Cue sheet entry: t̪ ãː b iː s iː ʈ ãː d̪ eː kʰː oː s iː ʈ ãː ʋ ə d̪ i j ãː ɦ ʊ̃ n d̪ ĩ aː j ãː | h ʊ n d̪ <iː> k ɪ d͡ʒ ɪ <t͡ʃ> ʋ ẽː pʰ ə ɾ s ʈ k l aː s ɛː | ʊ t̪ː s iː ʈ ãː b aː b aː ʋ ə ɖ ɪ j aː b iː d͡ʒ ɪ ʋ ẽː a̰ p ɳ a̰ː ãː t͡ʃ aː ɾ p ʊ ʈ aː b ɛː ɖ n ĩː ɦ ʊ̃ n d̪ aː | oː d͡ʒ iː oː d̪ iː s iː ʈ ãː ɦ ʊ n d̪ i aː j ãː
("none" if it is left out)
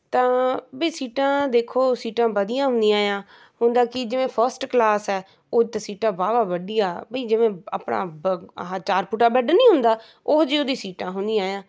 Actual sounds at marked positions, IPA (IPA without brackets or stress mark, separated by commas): aː, none